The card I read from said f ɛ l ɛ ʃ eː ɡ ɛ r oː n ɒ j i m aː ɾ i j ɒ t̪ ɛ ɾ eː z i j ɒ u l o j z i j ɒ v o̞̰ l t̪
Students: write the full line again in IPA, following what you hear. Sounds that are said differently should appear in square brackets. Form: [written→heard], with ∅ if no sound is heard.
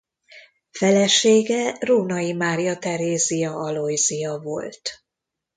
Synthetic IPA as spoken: f ɛ l ɛ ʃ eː ɡ ɛ r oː n ɒ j i m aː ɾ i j ɒ t̪ ɛ ɾ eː z i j ɒ [u→ɒ] l o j z i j ɒ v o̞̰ l t̪